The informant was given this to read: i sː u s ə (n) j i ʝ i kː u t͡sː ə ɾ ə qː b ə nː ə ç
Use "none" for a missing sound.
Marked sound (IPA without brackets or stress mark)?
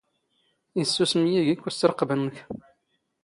m